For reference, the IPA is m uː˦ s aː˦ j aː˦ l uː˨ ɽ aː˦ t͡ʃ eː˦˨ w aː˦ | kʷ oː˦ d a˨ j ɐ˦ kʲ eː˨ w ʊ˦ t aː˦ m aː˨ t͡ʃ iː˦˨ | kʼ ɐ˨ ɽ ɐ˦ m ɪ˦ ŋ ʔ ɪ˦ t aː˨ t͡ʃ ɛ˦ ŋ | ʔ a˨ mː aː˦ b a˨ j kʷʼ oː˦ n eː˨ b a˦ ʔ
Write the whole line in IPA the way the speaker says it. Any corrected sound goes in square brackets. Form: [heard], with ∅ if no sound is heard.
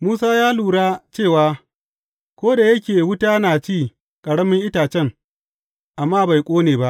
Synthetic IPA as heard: m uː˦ s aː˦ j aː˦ l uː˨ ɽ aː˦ t͡ʃ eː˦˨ w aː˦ | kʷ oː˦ d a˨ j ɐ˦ kʲ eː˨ w ʊ˦ t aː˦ [n] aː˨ t͡ʃ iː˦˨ | kʼ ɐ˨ ɽ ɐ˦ m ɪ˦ ŋ ʔ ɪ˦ t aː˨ t͡ʃ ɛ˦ ŋ | ʔ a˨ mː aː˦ b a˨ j kʷʼ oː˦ n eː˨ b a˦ ʔ